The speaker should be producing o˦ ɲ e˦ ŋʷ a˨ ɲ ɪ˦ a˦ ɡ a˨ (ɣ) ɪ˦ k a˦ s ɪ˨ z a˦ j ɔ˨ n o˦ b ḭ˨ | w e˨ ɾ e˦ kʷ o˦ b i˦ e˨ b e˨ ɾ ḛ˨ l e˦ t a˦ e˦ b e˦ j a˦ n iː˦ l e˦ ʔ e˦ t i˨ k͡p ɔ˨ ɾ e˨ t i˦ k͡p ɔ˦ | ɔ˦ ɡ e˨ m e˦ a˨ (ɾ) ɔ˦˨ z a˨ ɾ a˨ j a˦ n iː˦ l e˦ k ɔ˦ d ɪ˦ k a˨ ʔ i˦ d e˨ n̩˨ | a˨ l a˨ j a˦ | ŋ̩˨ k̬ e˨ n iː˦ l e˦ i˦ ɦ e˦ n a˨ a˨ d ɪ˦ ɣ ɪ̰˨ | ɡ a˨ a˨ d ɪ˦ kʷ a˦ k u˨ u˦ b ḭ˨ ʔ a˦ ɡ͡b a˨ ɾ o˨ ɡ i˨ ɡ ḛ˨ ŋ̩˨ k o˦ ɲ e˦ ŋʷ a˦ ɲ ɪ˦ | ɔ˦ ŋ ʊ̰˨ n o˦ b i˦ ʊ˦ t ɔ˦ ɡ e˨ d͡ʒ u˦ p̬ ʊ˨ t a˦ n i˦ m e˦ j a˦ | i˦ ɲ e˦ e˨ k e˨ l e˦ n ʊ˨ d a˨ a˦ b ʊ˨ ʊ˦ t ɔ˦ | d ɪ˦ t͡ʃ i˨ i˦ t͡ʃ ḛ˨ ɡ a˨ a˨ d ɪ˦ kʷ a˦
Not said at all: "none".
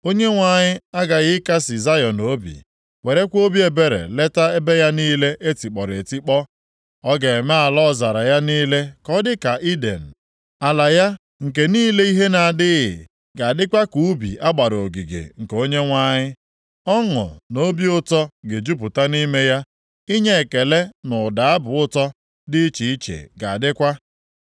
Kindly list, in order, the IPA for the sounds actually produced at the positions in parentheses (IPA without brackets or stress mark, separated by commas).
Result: ɣ, l